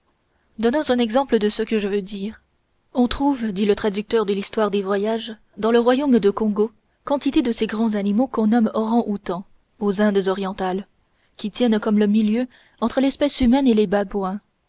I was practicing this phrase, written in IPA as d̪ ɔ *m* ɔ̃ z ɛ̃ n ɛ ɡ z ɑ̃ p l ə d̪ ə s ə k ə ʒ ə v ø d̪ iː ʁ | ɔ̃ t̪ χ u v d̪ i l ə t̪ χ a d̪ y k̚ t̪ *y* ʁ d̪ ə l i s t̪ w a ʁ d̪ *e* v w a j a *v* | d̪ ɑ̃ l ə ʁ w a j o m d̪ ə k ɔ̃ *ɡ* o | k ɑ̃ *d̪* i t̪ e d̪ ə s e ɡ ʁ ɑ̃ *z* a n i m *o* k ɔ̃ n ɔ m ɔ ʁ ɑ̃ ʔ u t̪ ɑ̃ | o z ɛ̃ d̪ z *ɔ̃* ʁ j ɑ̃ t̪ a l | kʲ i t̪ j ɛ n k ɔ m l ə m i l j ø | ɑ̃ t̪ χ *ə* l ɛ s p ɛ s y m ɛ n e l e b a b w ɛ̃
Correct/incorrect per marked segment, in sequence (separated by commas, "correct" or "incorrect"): incorrect, incorrect, correct, incorrect, correct, incorrect, correct, correct, incorrect, correct